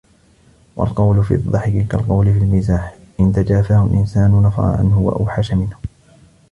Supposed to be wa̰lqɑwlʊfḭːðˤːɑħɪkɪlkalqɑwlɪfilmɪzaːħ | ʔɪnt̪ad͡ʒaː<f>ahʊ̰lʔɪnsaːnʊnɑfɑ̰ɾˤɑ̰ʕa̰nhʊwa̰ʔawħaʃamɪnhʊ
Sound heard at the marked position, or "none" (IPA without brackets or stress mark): f